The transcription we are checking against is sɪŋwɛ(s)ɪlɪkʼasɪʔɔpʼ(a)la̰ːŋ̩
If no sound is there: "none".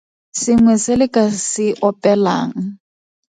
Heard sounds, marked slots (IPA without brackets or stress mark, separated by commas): s, ɛ